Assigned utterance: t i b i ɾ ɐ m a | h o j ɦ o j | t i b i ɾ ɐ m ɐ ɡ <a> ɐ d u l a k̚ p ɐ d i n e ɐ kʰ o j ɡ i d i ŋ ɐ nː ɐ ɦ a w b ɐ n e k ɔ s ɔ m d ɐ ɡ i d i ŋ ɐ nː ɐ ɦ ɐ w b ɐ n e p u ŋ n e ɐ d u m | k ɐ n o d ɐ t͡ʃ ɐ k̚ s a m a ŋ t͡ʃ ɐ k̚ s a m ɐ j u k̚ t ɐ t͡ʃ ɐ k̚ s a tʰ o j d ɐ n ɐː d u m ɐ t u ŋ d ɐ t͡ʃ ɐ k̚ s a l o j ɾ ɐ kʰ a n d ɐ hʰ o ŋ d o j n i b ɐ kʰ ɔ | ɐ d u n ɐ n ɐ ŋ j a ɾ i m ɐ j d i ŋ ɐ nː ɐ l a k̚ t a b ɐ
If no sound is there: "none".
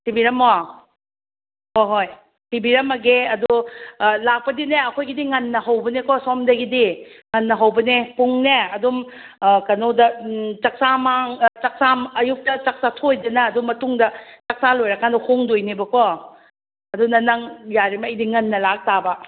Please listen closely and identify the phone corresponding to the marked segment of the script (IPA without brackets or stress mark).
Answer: e